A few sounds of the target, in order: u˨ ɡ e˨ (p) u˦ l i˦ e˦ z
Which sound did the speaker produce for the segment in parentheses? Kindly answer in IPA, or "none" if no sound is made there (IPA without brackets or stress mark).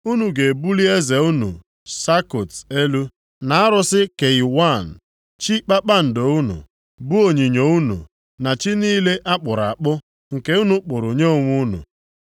b